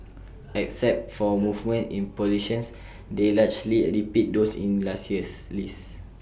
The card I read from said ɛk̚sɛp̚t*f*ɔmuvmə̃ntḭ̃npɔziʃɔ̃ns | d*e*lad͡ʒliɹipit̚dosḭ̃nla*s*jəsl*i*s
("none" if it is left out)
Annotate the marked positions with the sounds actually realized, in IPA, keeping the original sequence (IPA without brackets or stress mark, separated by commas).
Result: f, e, s, i